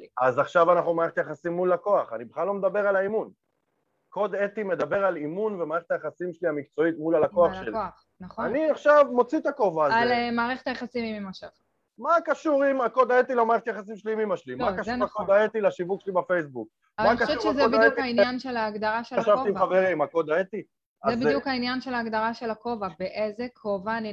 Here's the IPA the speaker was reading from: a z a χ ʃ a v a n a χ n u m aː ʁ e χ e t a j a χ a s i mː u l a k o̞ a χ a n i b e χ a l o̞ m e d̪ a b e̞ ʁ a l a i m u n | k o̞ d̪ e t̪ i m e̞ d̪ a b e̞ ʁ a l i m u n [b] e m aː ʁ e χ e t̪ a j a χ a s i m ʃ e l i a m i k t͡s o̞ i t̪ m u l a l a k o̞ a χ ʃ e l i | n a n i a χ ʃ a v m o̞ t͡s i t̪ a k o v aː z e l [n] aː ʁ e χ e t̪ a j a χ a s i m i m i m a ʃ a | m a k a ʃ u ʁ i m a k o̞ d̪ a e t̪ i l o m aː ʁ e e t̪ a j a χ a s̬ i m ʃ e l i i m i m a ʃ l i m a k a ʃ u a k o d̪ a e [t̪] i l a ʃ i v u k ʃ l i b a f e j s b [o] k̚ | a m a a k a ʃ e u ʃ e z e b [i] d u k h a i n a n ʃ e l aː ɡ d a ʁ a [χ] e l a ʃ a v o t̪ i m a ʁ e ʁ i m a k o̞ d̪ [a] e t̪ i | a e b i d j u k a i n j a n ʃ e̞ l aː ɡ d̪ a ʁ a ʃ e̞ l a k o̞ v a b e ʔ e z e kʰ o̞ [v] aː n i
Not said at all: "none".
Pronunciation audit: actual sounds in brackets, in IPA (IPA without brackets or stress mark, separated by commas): v, m, t̪, u, i, ʃ, a, v